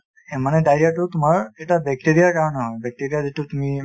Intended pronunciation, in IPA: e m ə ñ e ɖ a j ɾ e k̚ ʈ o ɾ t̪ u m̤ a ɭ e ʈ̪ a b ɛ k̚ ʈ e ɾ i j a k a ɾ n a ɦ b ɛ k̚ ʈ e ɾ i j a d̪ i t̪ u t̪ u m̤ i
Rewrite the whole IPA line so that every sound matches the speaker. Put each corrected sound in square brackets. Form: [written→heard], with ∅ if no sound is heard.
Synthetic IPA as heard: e m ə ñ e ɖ a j ɾ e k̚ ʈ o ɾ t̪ u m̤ a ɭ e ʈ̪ a b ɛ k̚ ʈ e ɾ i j a k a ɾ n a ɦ b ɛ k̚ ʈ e ɾ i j a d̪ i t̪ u t̪ u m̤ i